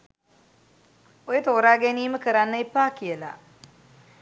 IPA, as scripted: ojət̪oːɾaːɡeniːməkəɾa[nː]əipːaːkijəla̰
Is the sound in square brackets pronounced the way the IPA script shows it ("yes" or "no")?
yes